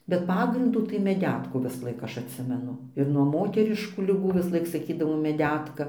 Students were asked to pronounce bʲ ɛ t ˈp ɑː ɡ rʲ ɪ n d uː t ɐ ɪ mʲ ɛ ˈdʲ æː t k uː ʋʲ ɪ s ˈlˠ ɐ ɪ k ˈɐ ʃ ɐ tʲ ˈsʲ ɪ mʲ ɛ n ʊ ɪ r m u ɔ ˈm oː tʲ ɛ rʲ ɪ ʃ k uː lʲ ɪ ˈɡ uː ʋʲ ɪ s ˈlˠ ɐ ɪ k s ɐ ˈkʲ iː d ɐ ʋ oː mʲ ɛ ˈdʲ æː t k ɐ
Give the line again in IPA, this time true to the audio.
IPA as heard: bʲ ɛ t ˈp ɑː ɡ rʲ ɪ n d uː t ɐ ɪ mʲ ɛ ˈdʲ æː t k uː ʋʲ ɪ s ˈlˠ ɐ ɪ k ˈɐ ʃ ɐ tʲ ˈsʲ ɪ mʲ ɛ n ʊ ɪ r n u ɔ ˈm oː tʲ ɛ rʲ ɪ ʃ k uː lʲ ɪ ˈɡ uː ʋʲ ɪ s ˈlˠ ɐ ɪ k s ɐ ˈkʲ iː d ɐ ʋ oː mʲ ɛ ˈdʲ æː t k ɐ